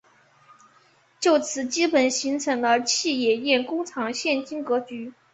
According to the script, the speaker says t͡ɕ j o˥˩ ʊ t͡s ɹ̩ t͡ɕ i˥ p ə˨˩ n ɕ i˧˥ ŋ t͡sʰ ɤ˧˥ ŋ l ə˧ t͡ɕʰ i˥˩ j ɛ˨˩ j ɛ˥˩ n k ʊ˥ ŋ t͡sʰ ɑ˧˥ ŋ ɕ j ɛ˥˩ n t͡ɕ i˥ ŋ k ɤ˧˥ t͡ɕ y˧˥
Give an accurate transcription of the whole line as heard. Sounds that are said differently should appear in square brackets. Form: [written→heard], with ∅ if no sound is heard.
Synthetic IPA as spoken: t͡ɕ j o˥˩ ʊ [t͡s→t͡sʰ] ɹ̩ t͡ɕ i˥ p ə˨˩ n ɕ i˧˥ ŋ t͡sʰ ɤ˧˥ ŋ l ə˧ t͡ɕʰ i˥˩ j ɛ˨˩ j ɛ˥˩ n k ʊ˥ ŋ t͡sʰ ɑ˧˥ ŋ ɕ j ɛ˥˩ n t͡ɕ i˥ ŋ k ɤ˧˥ t͡ɕ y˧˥